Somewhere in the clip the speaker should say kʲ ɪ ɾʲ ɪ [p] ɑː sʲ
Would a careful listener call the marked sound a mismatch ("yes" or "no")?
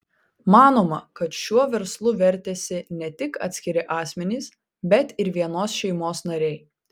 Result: yes